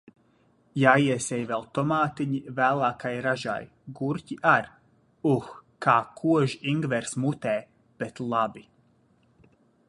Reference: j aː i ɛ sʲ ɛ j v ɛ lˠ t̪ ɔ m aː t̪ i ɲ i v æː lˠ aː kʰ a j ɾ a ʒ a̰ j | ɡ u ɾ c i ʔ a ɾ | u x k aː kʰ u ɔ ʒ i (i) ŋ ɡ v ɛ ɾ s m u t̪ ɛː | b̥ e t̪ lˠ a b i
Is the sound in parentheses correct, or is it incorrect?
correct